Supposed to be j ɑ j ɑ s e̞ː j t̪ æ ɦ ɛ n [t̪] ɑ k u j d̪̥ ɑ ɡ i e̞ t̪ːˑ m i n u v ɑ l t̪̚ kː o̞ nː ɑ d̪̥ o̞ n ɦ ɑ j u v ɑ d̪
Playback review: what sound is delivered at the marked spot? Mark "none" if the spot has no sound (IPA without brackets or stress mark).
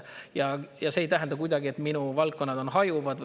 d̪